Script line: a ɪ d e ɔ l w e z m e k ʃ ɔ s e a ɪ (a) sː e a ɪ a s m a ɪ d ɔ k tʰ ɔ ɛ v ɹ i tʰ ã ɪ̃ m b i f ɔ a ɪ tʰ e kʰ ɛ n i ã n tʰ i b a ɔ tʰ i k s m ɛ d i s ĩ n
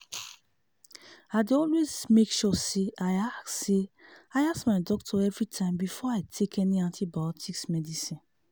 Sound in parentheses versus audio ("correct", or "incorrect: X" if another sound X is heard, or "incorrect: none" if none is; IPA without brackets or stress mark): correct